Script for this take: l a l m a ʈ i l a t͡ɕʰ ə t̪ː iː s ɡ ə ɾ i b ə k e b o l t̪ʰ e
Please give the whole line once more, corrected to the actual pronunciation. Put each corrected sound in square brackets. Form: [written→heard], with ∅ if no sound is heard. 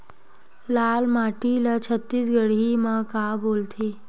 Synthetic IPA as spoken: l a l m a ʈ i l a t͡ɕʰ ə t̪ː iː s ɡ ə [ɾ→ɽ] i [b→m] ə k [e→a] b o l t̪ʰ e